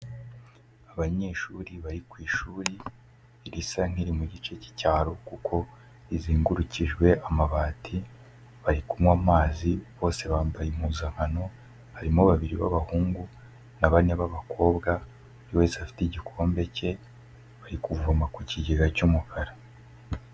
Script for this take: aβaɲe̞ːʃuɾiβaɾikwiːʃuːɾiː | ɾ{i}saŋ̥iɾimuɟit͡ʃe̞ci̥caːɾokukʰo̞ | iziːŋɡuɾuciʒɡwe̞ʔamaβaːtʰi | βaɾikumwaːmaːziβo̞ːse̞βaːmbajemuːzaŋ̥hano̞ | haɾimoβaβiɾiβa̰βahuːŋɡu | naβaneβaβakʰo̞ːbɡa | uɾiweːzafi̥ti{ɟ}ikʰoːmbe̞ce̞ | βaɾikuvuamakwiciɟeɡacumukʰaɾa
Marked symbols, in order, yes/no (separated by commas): yes, yes